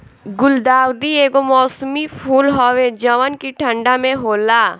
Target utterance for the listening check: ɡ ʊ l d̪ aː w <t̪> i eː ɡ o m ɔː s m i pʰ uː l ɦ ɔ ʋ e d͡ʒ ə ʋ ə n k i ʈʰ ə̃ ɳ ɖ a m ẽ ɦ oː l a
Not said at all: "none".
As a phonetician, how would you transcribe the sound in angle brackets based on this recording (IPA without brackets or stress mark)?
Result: d̪